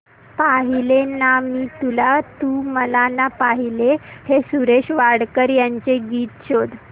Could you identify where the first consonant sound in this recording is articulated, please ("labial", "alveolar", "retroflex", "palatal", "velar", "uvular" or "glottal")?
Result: labial